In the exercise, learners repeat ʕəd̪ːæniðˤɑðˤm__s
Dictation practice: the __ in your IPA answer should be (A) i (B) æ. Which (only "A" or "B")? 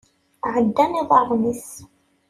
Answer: A